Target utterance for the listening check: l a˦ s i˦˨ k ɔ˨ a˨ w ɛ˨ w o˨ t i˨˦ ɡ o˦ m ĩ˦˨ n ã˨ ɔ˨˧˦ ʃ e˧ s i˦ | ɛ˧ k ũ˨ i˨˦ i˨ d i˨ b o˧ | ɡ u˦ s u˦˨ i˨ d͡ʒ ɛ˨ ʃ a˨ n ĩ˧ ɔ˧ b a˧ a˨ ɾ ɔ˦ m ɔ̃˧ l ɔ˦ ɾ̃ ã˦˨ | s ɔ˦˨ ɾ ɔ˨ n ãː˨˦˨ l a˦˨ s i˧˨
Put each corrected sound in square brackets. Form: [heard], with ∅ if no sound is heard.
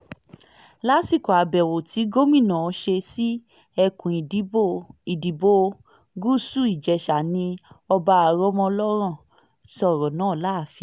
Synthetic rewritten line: l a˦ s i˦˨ k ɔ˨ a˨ [b] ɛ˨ w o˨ t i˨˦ ɡ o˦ m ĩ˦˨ n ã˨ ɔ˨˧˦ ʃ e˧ s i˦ | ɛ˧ k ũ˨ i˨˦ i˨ d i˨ b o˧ | ɡ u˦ s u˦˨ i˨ d͡ʒ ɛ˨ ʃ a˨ n ĩ˧ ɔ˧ b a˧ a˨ ɾ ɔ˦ m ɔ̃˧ l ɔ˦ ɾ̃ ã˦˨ | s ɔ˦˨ ɾ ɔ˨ n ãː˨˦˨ l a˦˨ [f] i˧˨